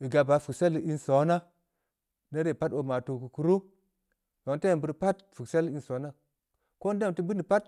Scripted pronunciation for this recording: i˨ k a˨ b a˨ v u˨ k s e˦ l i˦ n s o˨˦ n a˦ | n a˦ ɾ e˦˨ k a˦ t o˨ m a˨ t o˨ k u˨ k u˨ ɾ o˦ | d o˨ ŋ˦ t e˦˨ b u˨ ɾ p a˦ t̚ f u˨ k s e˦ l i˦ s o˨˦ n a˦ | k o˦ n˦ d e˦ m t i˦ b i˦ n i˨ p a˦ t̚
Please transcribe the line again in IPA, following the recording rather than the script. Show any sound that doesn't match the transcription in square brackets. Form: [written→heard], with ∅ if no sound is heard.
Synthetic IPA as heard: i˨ [k→ɡ] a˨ b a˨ [v→f] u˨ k s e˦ l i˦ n s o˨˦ n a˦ | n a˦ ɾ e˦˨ [k→p] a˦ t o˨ m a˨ t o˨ k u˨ k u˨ ɾ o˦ | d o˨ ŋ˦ t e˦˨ b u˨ ɾ p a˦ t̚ f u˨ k s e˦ l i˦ s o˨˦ n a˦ | k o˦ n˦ d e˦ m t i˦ b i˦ n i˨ p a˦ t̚

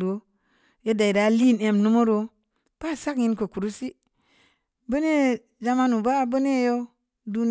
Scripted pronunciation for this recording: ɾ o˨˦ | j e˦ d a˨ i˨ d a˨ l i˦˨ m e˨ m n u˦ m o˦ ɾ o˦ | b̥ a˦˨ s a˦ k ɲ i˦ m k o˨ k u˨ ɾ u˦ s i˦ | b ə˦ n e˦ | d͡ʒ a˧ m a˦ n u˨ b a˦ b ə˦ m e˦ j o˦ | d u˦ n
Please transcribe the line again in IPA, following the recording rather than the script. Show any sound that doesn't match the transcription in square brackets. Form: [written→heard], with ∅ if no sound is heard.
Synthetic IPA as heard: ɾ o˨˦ | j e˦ d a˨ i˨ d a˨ l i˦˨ [m→n] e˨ m n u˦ m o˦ ɾ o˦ | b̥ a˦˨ s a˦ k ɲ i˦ [m→n] k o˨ k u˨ ɾ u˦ s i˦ | b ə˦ n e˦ | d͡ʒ a˧ m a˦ n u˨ b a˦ b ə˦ [m→n] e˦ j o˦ | d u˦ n

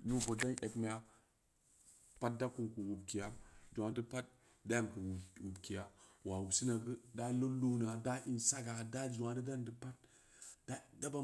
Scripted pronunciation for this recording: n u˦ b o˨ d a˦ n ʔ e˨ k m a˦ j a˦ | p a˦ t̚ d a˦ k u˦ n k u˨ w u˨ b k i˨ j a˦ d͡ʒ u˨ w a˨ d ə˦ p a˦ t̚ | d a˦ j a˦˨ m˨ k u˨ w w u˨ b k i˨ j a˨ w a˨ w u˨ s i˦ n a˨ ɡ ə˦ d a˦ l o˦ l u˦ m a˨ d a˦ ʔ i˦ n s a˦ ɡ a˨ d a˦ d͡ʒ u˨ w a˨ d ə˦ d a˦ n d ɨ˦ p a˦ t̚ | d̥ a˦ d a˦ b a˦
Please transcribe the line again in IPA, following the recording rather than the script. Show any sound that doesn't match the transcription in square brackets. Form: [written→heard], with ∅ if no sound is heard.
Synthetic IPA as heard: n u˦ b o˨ d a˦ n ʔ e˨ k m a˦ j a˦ | p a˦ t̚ d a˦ k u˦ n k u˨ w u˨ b k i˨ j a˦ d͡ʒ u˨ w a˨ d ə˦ p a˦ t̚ | d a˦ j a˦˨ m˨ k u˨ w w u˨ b k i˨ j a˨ w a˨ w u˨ s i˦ n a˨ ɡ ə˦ d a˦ l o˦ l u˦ [m→n] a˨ d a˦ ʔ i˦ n s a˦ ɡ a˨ d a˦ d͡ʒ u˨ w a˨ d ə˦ d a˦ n d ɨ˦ p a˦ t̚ | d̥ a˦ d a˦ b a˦

